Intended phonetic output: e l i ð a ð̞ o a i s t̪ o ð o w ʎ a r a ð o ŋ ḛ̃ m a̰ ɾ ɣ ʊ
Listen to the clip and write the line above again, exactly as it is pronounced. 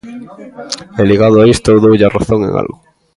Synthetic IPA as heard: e l i ɣ a ð̞ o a i s t̪ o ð o w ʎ a r a θ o ŋ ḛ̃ ŋ a̰ l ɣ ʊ